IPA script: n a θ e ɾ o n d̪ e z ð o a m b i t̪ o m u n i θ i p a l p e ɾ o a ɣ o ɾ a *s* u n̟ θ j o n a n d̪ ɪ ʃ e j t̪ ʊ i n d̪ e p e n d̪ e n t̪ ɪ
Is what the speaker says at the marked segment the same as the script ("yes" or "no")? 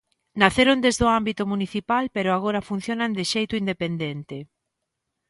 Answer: no